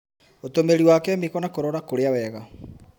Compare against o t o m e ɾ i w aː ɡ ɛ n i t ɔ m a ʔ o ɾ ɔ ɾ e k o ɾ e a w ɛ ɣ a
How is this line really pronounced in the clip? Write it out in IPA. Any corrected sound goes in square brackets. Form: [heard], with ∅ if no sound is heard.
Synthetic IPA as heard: o t o m e ɾ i w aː [k] ɛ [m] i [k] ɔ [n] a [k] o ɾ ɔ ɾ [a] k o ɾ e a w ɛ ɣ a